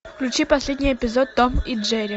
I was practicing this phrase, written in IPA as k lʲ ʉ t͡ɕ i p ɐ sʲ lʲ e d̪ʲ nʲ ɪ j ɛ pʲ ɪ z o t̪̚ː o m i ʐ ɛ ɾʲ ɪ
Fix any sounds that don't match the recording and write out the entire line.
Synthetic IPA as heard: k lʲ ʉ t͡ɕ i p ɐ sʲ lʲ e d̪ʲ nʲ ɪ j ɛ pʲ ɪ z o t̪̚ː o m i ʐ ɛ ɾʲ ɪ